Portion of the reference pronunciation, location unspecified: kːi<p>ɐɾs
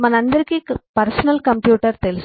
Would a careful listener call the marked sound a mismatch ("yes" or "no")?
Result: no